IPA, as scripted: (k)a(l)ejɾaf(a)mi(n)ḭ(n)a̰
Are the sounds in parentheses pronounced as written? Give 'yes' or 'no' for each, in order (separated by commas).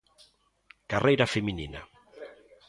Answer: yes, no, no, yes, yes